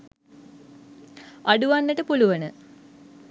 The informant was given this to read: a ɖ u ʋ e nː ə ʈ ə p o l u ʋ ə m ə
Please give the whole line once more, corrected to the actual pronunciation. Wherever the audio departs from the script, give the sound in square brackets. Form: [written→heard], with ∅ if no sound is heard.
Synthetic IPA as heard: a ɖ u ʋ [e→a] nː ə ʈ ə p [o→u] l u ʋ ə [m→n] ə